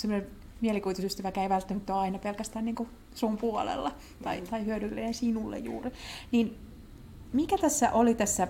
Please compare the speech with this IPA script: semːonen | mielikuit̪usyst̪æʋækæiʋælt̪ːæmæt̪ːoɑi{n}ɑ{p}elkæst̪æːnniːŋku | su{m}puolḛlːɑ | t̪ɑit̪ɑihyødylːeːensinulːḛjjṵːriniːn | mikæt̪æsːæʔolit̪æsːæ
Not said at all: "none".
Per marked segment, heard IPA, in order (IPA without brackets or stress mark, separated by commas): n, p, m